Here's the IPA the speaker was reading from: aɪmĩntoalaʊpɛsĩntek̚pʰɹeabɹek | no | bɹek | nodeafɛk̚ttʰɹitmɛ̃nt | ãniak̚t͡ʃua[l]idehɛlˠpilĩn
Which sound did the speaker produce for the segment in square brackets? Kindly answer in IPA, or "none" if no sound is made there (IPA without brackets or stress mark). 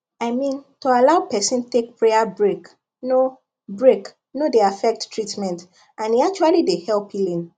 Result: l